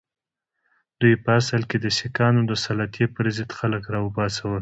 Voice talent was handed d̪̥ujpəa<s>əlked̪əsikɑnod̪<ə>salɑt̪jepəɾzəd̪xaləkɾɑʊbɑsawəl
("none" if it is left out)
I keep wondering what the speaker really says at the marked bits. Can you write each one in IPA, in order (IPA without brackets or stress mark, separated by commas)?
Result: s, ə